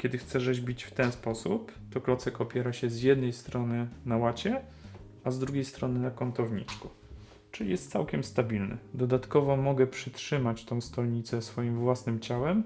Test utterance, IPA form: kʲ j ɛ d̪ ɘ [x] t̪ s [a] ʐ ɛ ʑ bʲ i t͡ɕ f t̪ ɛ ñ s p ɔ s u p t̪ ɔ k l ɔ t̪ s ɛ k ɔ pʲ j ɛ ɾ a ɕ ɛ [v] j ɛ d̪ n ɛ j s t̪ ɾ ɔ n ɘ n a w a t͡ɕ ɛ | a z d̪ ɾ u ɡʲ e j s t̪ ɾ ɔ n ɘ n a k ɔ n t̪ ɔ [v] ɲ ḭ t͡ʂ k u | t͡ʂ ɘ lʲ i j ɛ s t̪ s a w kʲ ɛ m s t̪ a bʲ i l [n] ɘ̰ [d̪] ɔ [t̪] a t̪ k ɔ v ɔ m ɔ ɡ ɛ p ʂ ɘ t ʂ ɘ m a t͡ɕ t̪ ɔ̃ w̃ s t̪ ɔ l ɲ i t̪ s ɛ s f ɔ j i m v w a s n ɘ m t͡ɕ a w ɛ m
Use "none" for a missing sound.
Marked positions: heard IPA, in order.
x, ɛ, z, v, n, d̪, d̪

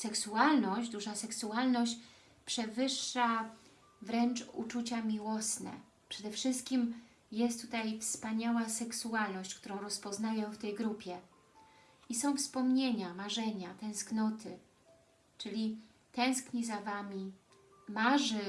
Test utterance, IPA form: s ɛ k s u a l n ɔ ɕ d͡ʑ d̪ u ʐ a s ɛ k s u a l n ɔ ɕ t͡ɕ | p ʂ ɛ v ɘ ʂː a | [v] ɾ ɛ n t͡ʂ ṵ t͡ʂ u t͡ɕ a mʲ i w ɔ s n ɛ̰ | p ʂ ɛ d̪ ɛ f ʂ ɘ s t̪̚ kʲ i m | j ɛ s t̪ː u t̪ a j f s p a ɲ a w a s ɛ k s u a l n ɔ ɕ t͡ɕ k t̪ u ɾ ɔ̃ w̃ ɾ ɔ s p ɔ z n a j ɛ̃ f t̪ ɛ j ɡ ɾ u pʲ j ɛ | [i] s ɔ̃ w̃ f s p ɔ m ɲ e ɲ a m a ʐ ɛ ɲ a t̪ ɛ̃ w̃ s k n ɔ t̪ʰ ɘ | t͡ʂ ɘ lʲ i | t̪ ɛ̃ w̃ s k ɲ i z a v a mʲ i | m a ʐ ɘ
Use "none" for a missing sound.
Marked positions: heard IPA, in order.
v, i

